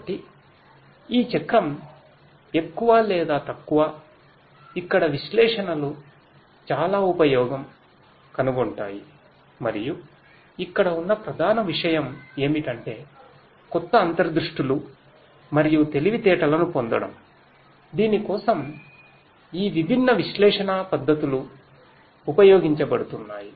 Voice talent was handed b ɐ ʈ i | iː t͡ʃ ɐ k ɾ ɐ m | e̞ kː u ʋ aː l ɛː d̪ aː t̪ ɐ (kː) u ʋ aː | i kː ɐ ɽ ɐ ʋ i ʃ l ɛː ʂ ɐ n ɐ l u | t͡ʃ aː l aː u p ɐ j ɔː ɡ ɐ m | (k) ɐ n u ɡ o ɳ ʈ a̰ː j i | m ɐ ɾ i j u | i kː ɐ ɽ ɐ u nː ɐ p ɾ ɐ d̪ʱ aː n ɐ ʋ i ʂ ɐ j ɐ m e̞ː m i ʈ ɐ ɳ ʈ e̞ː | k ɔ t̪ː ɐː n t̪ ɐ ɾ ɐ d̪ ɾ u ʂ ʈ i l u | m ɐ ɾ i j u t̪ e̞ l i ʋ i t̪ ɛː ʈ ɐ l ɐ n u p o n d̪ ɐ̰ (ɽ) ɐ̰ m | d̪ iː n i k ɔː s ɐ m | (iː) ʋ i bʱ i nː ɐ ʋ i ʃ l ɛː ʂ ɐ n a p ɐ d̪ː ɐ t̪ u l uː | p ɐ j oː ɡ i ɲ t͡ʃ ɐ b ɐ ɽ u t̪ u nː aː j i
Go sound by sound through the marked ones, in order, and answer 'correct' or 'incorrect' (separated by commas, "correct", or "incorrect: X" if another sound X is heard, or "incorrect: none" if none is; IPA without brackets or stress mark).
correct, correct, correct, correct